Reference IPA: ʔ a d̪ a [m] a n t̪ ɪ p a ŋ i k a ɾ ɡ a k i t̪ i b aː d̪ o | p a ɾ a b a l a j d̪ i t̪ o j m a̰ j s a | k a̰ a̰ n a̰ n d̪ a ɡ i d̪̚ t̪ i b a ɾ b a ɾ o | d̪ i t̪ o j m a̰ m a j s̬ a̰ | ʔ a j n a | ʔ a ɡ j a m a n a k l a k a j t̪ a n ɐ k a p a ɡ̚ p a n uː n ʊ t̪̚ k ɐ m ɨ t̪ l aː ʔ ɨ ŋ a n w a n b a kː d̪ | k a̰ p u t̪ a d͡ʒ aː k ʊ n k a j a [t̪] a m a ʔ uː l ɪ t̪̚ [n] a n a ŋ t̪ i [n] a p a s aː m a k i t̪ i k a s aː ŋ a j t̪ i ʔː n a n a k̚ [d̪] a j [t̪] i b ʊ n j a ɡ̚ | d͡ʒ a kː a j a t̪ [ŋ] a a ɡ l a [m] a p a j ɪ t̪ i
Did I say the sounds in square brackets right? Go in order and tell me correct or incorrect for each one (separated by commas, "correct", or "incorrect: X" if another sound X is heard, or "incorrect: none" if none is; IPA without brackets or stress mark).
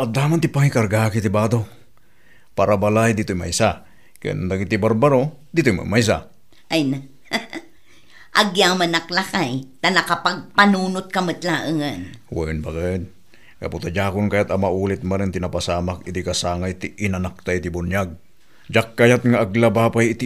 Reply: correct, correct, incorrect: m, correct, incorrect: t̪, correct, correct, incorrect: b